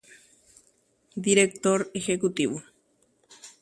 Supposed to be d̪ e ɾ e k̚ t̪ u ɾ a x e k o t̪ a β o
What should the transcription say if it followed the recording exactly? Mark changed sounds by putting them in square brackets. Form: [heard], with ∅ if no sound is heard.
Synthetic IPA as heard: d̪ [i] ɾ e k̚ t̪ [o] ɾ [e] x e k [u] t̪ [i] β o